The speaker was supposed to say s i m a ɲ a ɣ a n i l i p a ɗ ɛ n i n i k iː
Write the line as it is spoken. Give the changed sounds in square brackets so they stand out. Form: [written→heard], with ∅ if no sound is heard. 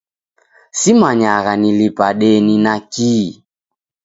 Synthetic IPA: s i m a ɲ a ɣ a n i l i p a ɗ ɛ n i n [i→a] k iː